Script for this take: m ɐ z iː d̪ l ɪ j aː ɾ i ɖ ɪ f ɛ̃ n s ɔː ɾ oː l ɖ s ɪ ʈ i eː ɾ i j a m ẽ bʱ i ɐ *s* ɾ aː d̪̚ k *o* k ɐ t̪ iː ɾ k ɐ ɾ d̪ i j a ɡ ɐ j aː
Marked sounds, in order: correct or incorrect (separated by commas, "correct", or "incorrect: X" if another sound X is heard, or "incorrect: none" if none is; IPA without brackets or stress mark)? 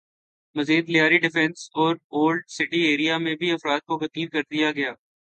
incorrect: f, correct